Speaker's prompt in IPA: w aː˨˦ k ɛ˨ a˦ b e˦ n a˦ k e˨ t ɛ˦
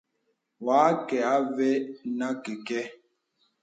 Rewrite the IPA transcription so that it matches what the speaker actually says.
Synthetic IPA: w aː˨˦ k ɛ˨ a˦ v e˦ n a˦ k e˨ k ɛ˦